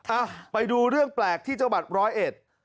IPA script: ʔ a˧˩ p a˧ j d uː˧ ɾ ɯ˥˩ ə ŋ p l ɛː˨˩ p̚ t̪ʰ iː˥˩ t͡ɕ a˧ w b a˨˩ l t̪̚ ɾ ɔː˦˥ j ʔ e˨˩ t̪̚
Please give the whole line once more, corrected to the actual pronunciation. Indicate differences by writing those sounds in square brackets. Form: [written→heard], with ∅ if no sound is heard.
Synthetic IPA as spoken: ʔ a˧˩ p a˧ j d uː˧ ɾ ɯ˥˩ ə ŋ p l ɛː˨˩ [p̚→k̚] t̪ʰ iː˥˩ t͡ɕ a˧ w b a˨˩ [l→∅] t̪̚ ɾ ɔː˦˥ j ʔ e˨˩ t̪̚